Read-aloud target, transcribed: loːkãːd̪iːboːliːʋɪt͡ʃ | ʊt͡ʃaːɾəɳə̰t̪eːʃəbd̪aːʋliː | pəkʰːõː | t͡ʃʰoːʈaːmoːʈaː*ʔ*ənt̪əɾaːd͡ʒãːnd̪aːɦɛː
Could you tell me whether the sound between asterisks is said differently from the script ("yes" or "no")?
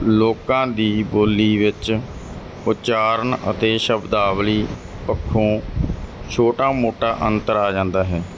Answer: no